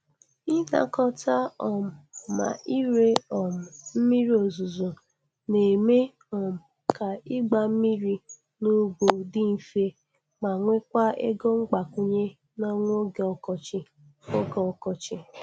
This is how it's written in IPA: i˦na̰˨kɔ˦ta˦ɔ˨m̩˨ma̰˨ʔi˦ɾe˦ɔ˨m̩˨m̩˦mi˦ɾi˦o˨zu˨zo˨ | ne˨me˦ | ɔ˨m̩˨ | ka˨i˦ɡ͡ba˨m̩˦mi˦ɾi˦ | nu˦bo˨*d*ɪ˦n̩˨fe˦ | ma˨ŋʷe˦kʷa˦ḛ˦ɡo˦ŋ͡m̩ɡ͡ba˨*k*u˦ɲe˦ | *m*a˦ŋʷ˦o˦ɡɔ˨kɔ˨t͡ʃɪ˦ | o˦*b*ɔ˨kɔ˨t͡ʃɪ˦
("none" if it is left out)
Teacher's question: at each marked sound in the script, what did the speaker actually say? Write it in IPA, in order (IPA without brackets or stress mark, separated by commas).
d, k, n, ɡ